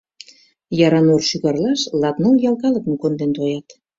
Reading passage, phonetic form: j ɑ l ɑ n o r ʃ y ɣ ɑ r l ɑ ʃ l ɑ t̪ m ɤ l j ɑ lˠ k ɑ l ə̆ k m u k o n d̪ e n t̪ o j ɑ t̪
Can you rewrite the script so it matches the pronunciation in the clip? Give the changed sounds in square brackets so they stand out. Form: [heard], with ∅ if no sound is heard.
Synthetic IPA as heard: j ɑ [ɾ] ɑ n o r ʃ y ɣ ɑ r l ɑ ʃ l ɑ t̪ [n] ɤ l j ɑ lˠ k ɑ l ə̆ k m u k o n d̪ e n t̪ o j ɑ t̪